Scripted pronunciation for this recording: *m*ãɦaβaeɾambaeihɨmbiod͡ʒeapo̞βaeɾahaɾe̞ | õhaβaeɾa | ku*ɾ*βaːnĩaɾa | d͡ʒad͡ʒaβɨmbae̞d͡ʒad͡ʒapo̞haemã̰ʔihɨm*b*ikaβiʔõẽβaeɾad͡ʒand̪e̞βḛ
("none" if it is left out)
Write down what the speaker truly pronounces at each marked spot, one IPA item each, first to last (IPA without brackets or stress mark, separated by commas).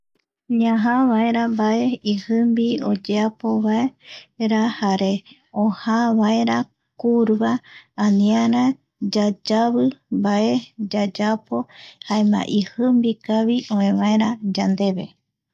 ɲ, ɾ, b